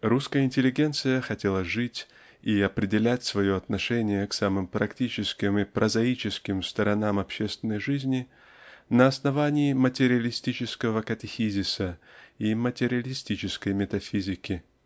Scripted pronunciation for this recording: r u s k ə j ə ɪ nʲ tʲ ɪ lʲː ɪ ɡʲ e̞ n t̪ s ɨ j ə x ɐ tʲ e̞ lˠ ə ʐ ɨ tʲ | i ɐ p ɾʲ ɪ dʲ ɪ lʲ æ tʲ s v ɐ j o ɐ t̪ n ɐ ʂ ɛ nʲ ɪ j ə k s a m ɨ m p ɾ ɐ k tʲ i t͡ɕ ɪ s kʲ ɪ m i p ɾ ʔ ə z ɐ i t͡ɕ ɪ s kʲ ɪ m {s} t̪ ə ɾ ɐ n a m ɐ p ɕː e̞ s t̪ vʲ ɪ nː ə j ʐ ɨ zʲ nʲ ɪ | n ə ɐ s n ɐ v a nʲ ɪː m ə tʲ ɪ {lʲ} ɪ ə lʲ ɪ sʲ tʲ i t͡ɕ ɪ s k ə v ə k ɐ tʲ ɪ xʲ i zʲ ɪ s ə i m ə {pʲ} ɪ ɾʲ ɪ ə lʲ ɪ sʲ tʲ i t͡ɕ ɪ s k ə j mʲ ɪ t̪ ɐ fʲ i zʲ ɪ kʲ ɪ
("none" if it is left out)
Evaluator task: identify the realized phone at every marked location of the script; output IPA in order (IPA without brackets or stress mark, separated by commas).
s, ɾʲ, tʲ